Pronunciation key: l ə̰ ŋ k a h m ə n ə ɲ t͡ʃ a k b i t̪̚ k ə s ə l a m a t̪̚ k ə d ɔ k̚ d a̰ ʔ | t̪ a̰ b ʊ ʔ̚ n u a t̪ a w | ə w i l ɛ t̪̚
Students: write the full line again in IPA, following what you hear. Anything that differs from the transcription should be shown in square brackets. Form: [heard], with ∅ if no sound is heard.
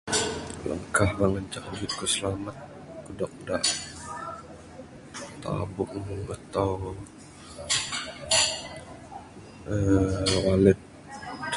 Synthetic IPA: l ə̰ ŋ k a h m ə [ŋ] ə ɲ t͡ʃ a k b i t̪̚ k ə s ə l a m a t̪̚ k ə d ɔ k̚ d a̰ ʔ | t̪ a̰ b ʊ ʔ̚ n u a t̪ a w | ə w [a] l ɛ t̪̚